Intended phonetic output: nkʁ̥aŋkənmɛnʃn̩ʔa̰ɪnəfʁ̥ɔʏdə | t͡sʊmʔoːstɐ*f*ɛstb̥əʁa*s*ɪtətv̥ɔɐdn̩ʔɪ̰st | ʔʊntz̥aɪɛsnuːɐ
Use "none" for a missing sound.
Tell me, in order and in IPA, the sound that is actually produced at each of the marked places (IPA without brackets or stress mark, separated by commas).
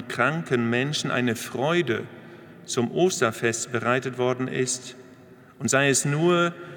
f, none